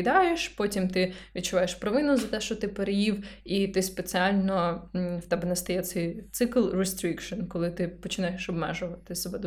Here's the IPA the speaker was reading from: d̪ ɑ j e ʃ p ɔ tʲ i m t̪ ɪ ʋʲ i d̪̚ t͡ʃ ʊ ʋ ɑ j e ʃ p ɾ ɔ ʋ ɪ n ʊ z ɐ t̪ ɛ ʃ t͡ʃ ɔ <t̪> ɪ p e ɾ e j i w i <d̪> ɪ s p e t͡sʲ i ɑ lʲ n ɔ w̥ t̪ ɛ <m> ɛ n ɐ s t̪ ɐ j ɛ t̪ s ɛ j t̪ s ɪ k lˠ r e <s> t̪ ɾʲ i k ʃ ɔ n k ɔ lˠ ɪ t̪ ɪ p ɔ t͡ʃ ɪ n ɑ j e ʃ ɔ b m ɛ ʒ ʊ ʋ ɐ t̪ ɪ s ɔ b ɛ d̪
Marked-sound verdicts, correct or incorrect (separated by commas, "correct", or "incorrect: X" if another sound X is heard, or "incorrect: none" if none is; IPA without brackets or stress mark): correct, incorrect: t̪, incorrect: b, correct